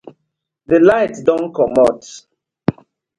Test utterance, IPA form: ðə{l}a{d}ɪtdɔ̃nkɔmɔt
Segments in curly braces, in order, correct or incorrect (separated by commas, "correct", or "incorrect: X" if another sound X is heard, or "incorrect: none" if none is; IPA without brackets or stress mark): correct, incorrect: none